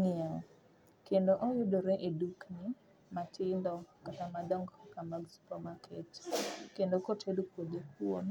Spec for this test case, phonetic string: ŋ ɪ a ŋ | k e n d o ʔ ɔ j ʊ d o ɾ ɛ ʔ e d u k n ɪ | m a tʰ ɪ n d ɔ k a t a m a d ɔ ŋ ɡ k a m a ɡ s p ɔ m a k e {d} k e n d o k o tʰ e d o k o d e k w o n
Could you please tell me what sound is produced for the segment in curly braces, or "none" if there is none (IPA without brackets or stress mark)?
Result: t